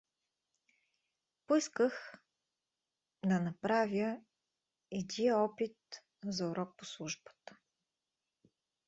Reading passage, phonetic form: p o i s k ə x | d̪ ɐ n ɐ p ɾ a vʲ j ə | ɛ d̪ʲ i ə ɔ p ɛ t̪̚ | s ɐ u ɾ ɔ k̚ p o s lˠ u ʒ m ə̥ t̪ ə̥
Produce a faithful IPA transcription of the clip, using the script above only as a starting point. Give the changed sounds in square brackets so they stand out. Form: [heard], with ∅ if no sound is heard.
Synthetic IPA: p o i s k ə x | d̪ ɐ n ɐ p ɾ a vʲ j ə | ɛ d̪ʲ i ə ɔ p [i] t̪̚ | [z] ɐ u ɾ ɔ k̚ p o s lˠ u ʒ [b] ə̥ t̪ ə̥